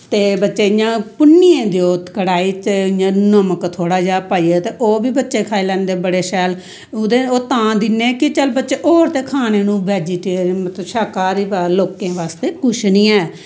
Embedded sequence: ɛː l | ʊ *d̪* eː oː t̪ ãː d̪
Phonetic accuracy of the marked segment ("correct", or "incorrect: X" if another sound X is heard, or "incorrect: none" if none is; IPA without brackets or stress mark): correct